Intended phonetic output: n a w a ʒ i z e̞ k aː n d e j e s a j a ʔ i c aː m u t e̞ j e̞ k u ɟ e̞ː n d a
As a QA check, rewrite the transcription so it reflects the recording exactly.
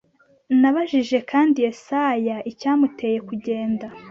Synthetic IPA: n a β a ʒ i ʒ e̞ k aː n d i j e s a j a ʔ i c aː m u t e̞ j e̞ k u ɟ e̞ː n d a